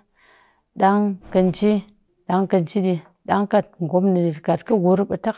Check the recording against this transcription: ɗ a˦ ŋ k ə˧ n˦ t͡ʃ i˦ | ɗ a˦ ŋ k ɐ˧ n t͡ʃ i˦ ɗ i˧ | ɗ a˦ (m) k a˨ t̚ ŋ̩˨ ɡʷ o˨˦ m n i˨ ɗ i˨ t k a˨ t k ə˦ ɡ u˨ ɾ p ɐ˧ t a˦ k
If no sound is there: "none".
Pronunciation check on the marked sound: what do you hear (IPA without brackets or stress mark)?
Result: ŋ